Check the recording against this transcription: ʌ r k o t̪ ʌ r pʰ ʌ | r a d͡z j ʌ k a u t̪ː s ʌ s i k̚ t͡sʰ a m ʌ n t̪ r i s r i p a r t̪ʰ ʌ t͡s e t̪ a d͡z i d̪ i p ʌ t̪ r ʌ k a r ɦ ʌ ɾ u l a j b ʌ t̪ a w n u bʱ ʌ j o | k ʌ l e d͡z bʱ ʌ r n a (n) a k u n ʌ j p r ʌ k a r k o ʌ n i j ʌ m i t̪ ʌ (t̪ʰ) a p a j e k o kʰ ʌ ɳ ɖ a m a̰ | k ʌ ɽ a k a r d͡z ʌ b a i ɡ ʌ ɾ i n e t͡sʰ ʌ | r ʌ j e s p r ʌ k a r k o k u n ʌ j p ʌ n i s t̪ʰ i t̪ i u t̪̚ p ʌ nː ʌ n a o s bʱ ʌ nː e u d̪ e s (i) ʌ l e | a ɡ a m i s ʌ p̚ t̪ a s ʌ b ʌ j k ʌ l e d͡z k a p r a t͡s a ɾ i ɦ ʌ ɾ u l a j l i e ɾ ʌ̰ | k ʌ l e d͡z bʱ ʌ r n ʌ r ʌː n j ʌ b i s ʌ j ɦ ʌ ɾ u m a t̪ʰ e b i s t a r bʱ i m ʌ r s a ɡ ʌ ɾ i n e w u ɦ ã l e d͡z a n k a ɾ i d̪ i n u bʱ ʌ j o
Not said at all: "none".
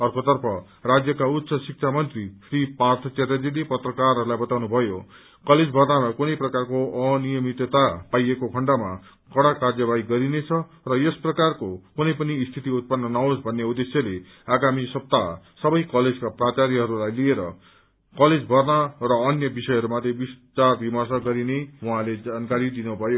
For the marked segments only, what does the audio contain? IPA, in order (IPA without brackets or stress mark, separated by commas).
m, t̪, j